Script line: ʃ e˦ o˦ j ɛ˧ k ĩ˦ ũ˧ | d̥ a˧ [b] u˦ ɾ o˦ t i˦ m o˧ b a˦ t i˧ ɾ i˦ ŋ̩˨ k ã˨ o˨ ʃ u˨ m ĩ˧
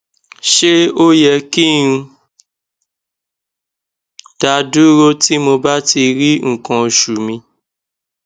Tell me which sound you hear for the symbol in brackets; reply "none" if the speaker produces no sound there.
d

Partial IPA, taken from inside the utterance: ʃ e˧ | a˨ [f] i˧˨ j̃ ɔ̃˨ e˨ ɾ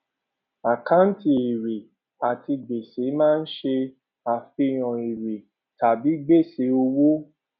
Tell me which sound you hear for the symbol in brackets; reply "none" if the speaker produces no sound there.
f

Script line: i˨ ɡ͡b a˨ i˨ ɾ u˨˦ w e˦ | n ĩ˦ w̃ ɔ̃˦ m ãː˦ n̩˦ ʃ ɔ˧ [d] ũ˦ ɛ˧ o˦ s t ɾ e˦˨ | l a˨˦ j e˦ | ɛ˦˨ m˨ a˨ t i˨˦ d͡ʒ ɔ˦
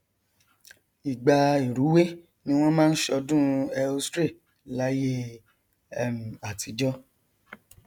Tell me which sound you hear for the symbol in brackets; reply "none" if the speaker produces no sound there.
d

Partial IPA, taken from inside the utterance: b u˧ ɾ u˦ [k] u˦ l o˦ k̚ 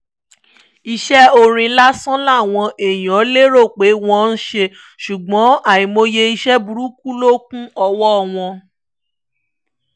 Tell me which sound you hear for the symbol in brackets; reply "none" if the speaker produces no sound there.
k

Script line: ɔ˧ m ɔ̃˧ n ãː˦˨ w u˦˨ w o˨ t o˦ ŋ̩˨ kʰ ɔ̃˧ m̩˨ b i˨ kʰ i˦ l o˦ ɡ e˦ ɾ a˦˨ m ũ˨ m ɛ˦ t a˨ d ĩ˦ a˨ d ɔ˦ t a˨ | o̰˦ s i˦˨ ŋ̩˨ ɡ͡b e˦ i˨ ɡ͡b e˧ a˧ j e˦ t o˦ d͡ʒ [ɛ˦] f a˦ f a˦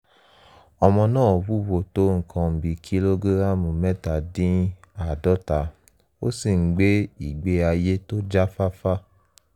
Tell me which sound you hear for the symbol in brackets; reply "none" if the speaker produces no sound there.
a˦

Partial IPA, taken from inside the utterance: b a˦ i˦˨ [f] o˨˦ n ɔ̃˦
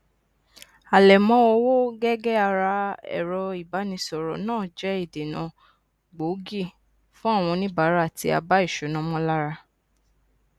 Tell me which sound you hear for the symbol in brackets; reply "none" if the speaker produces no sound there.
ʃ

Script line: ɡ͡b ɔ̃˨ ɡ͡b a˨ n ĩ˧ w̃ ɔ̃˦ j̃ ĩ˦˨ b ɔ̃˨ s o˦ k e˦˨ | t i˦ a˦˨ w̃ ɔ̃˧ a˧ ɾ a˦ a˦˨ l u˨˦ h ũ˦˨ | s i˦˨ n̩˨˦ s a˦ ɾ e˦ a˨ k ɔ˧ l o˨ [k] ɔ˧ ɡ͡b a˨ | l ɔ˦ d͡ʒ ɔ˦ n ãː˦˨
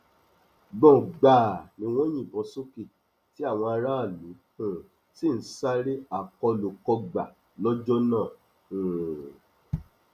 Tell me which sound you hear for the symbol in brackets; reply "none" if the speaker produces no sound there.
k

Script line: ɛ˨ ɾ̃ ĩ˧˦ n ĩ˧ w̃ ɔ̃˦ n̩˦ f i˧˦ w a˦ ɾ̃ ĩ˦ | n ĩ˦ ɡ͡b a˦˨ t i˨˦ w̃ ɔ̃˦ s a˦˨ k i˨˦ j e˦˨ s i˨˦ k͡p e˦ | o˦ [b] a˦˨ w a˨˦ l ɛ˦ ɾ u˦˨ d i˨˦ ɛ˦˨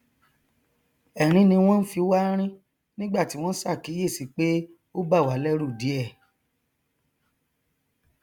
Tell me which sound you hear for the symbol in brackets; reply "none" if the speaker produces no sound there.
b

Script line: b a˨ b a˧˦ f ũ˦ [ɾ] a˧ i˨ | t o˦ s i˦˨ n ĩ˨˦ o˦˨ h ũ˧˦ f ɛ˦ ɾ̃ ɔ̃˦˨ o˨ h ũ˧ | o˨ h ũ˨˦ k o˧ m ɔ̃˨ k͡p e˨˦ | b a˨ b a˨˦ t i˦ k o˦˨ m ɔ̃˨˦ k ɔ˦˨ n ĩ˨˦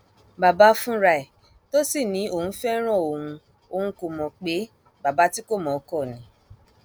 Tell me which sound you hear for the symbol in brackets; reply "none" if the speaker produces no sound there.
ɾ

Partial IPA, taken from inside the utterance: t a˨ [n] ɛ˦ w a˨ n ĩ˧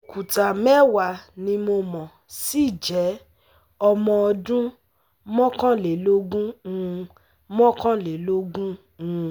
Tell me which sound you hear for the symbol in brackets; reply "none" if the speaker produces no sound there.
m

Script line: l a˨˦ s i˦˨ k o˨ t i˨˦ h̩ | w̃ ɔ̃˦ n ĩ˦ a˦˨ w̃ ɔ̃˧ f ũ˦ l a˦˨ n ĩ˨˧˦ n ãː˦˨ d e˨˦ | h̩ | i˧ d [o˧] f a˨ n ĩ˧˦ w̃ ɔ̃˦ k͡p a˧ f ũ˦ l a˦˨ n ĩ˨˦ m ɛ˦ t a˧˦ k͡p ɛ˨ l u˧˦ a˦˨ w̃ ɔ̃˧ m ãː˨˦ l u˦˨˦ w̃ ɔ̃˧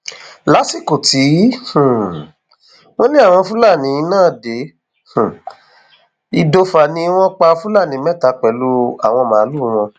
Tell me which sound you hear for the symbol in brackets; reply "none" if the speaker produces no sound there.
o˧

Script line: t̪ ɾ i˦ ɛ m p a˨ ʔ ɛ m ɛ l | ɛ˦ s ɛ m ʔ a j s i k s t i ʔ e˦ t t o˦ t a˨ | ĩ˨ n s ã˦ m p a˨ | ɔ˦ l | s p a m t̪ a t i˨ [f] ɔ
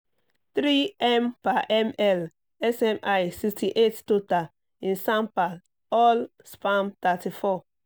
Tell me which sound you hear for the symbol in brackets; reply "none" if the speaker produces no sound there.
f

